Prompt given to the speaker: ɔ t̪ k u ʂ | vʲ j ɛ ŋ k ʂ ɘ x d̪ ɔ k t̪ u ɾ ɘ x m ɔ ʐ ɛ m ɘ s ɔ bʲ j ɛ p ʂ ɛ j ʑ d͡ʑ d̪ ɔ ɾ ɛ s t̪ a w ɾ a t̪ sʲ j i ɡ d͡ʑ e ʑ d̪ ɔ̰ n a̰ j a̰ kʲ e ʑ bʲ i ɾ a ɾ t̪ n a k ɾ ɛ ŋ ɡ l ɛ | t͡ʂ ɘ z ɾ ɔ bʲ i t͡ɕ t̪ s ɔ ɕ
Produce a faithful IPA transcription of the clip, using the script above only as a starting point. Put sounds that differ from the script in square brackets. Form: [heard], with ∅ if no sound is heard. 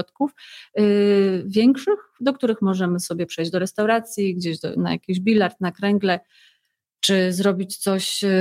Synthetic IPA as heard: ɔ t̪ k u [f] | vʲ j ɛ ŋ k ʂ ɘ x d̪ ɔ k t̪ u ɾ ɘ x m ɔ ʐ ɛ m ɘ s ɔ bʲ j ɛ p ʂ ɛ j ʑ d͡ʑ d̪ ɔ ɾ ɛ s t̪ a w ɾ a t̪ sʲ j i ɡ d͡ʑ e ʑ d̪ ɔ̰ n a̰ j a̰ kʲ [i] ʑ bʲ i [l] a ɾ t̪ n a k ɾ ɛ ŋ ɡ l ɛ | t͡ʂ ɘ z ɾ ɔ bʲ i t͡ɕ t̪ s ɔ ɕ